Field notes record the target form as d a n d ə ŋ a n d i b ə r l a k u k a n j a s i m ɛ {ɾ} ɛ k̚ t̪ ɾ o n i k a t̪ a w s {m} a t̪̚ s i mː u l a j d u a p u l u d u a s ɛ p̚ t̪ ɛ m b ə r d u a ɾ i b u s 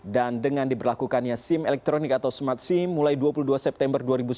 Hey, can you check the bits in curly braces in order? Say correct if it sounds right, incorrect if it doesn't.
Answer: incorrect: l, correct

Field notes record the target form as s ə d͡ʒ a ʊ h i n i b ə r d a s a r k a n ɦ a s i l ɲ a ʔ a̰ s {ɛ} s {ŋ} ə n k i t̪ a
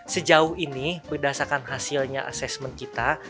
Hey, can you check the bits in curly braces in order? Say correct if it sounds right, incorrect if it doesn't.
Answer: correct, incorrect: m

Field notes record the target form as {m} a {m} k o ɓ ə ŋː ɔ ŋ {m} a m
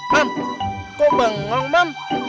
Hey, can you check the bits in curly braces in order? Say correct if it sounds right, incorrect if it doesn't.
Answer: correct, correct, correct

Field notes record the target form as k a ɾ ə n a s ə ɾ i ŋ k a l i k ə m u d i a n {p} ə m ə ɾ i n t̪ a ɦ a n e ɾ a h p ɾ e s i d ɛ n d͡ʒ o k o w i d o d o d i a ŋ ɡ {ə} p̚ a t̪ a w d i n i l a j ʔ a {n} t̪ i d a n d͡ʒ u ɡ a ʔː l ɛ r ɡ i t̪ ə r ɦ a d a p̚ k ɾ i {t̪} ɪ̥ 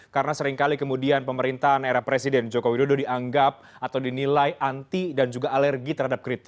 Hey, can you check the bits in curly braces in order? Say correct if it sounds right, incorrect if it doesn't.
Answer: correct, incorrect: a, correct, correct

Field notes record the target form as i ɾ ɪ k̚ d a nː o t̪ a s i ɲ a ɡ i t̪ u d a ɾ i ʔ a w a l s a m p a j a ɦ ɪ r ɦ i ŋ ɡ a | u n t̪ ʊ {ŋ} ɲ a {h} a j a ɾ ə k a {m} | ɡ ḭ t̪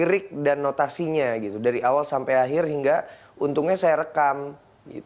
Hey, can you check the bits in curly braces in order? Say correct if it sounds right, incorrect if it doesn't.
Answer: correct, incorrect: s, correct

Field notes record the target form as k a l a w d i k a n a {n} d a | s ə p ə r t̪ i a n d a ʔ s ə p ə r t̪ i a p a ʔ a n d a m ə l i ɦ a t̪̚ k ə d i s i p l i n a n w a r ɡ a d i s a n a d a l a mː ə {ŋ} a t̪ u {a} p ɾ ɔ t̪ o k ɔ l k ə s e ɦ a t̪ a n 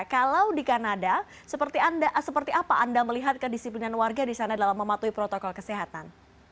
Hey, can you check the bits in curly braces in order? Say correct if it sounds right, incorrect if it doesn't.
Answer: incorrect: none, incorrect: m, incorrect: i

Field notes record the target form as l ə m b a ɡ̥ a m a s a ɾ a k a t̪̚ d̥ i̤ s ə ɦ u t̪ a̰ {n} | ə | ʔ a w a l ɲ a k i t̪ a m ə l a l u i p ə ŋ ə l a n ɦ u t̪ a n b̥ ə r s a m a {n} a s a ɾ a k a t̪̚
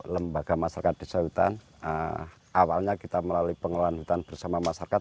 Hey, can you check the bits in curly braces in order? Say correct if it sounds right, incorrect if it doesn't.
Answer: correct, incorrect: m

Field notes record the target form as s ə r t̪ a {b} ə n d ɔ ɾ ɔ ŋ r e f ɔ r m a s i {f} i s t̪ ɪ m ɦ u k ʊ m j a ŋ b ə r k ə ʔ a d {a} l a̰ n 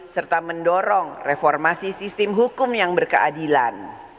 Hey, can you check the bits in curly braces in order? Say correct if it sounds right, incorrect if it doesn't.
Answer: incorrect: m, incorrect: s, incorrect: i

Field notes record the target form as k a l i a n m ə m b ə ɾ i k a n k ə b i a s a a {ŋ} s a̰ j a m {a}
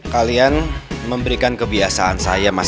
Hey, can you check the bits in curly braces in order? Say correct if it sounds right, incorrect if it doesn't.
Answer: incorrect: n, correct

